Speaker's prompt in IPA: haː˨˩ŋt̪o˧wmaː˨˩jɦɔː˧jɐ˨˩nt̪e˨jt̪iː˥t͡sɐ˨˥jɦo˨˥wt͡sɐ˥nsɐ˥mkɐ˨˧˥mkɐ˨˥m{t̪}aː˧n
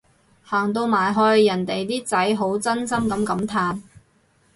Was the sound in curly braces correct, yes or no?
no